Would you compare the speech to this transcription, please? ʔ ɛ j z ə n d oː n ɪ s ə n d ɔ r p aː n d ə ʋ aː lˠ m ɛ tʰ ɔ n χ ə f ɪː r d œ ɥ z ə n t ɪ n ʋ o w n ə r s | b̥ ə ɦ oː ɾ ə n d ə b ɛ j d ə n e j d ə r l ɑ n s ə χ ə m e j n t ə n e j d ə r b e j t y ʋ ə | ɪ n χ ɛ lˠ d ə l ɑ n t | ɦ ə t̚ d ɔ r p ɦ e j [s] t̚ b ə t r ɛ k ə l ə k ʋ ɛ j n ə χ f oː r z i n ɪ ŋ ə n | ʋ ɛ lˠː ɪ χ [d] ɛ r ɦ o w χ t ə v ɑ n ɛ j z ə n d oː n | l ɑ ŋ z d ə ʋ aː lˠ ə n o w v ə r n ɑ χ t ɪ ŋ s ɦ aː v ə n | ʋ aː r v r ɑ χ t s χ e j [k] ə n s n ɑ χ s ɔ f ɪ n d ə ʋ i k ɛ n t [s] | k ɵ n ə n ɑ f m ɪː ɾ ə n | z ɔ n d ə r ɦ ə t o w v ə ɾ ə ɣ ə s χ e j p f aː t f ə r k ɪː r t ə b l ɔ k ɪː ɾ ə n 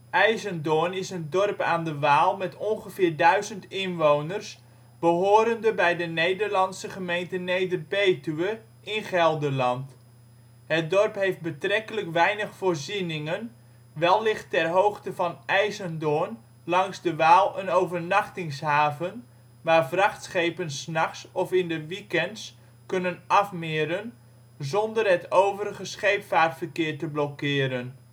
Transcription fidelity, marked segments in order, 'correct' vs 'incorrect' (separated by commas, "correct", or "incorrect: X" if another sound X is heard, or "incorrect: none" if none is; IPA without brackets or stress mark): incorrect: f, incorrect: t, incorrect: p, correct